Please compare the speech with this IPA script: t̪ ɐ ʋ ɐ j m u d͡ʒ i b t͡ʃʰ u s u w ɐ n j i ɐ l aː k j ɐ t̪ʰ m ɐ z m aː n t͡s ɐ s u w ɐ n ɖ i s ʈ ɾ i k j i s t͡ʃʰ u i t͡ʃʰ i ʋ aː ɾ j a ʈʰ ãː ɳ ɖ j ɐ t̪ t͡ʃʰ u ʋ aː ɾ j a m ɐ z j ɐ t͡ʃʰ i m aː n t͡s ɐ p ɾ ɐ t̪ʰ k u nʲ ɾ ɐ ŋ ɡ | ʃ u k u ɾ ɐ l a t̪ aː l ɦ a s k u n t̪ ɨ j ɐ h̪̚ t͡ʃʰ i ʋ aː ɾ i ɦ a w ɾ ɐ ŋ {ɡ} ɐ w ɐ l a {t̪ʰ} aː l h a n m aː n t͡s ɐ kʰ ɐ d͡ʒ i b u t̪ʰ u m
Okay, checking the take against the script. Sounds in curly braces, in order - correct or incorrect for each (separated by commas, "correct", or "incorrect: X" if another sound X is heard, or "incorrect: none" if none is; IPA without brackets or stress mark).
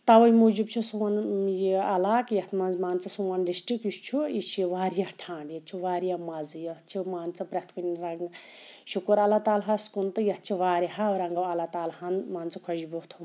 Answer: correct, incorrect: t̪